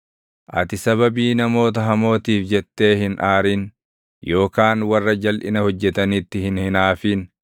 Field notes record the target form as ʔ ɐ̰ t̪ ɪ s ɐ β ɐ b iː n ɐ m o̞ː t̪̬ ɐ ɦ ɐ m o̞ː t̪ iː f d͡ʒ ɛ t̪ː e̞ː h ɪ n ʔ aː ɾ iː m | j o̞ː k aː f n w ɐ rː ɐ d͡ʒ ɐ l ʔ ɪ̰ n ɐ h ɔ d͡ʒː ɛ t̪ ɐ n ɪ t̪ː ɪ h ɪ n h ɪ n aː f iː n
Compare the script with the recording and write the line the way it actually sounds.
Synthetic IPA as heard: ʔ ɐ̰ t̪ ɪ s ɐ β ɐ b iː n ɐ m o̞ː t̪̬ ɐ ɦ ɐ m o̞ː t̪ iː f d͡ʒ ɛ t̪ː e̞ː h ɪ n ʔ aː ɾ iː n | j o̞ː k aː n w ɐ rː ɐ d͡ʒ ɐ l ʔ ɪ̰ n ɐ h ɔ d͡ʒː ɛ t̪ ɐ n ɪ t̪ː ɪ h ɪ n h ɪ n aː f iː n

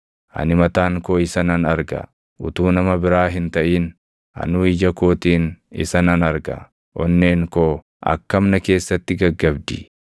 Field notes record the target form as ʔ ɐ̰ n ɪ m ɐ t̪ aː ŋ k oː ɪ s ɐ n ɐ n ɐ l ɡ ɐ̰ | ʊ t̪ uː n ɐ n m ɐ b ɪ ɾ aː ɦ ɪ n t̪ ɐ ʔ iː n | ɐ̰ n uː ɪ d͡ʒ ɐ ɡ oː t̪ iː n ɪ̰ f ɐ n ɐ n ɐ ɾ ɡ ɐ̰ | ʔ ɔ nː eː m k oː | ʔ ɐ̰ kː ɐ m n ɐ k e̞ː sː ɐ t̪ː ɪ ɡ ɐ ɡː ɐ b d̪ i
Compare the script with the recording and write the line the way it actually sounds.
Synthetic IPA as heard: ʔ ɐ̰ n ɪ m ɐ t̪ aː ŋ k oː ɪ s ɐ n ɐ n ɐ ɾ ɡ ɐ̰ | ʊ t̪ uː n ɐ m ɐ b ɪ ɾ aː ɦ ɪ n t̪ ɐ ʔ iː n | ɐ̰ n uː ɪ d͡ʒ ɐ k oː t̪ iː n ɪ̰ s ɐ n ɐ n ɐ ɾ ɡ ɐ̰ | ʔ ɔ nː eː ŋ k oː | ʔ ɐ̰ kː ɐ m n ɐ k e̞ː sː ɐ t̪ː ɪ ɡ ɐ ɡː ɐ b d̪ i

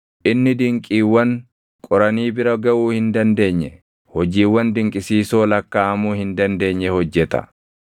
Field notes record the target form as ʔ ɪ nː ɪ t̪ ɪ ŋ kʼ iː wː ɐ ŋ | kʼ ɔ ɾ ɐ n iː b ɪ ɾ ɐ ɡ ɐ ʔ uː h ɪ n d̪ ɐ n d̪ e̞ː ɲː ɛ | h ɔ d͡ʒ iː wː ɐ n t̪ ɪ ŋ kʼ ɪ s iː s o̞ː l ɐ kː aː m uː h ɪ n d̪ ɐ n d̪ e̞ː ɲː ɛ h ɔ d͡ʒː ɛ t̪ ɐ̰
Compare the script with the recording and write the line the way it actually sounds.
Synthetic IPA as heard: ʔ ɪ nː ɪ d̪ ɪ ŋ kʼ iː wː ɐ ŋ | kʼ ɔ ɾ ɐ n iː b ɪ ɾ ɐ ɡ ɐ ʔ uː h ɪ n d̪ ɐ n d̪ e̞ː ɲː ɛ | h ɔ d͡ʒ iː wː ɐ n d̪ ɪ ŋ kʼ ɪ s iː s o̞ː l ɐ kː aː m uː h ɪ n d̪ ɐ n d̪ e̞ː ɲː ɛ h ɔ d͡ʒː ɛ t̪ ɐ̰

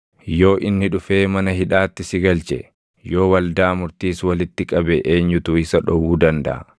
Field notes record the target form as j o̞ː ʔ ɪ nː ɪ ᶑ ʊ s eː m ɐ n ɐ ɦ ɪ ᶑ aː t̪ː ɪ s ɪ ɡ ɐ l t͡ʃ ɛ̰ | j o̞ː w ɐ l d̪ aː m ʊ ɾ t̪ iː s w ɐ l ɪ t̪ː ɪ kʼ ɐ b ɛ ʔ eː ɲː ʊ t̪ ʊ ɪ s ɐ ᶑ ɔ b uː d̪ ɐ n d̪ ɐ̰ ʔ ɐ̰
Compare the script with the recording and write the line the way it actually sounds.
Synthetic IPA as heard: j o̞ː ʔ ɪ nː ɪ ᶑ ʊ f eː m ɐ n ɐ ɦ ɪ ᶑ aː t̪ː ɪ s ɪ ɡ ɐ l t͡ʃ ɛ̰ | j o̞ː w ɐ l d̪ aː m ʊ ɾ t̪ iː s w ɐ l ɪ t̪ː ɪ kʼ ɐ b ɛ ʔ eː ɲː ʊ t̪ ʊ ɪ s ɐ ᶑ ɔ w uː d̪ ɐ n d̪ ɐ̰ ʔ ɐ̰

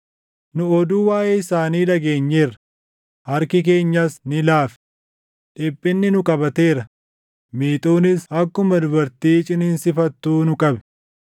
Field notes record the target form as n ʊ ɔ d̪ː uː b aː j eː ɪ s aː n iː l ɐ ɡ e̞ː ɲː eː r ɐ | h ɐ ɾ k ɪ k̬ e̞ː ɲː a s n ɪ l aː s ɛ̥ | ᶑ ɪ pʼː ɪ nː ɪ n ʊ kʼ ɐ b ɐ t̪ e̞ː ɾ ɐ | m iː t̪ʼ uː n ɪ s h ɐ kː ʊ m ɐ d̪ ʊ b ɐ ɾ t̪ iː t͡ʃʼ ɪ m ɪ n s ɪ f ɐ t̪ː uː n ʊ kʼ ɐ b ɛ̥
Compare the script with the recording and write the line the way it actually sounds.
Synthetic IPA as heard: n ʊ ɔ d̪ uː w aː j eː ɪ s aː n iː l ɐ ɡ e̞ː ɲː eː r ɐ | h ɐ ɾ k ɪ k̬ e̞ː ɲː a s n ɪ l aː f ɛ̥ | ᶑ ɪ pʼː ɪ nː ɪ n ʊ kʼ ɐ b ɐ t̪ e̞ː ɾ ɐ | m iː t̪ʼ uː n ɪ s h ɐ kː ʊ m ɐ d̪ ʊ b ɐ ɾ t̪ iː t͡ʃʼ ɪ n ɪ n s ɪ f ɐ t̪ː uː n ʊ kʼ ɐ b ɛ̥

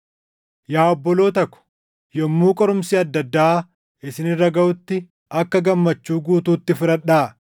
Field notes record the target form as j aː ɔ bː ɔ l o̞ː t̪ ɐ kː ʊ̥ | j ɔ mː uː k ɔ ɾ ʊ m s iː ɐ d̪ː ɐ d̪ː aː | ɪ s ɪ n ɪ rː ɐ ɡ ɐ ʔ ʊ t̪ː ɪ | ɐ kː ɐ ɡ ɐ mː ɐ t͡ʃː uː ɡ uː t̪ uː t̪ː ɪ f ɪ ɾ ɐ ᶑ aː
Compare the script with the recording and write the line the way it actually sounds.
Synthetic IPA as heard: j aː ɔ bː ɔ l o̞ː t̪ ɐ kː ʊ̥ | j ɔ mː uː kʼ ɔ ɾ ʊ m s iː ɐ d̪ː ɐ d̪ː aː | ɪ s ɪ n ɪ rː ɐ ɡ ɐ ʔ ʊ t̪ː ɪ | ɐ kː ɐ ɡ ɐ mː ɐ t͡ʃː uː ɡ uː t̪ uː t̪ː ɪ f ɪ ɾ ɐ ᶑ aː

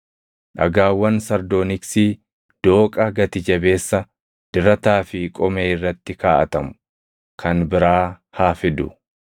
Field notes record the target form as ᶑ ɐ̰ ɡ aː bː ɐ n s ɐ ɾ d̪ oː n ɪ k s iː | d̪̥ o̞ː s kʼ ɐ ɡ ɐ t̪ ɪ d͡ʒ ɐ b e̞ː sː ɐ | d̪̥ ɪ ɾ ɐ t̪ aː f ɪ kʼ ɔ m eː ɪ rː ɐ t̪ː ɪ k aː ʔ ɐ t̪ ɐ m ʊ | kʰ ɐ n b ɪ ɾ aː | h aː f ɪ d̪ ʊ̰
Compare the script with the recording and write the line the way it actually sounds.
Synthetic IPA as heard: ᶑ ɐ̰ ɡ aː wː ɐ n s ɐ ɾ d̪ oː n ɪ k s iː | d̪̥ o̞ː kʼ ɐ ɡ ɐ t̪ ɪ d͡ʒ ɐ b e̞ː sː ɐ | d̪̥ ɪ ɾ ɐ t̪ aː f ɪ kʼ ɔ m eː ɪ rː ɐ t̪ː ɪ k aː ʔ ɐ t̪ ɐ m ʊ | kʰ ɐ n b ɪ ɾ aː | h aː f ɪ d̪ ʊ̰

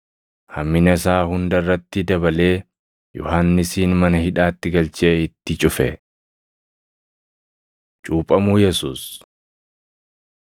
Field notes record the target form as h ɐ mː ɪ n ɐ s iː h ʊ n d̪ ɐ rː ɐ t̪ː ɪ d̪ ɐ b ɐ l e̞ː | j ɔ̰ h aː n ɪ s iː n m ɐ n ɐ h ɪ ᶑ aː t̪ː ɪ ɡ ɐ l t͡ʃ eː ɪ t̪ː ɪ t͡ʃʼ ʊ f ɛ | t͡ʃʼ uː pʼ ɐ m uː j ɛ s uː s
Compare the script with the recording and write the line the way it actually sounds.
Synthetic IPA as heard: h ɐ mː ɪ n ɐ s aː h ʊ n d̪ ɐ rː ɐ t̪ː ɪ d̪ ɐ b ɐ l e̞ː | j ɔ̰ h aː nː ɪ s iː n m ɐ n ɐ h ɪ ᶑ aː t̪ː ɪ ɡ ɐ l t͡ʃ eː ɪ t̪ː ɪ t͡ʃʼ ʊ f ɛ | t͡ʃʼ uː pʼ ɐ m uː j ɛ s uː s

